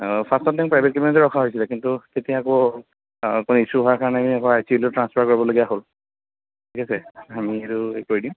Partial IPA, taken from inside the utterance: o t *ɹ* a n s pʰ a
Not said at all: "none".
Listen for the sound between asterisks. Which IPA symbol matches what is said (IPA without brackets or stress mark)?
ɹ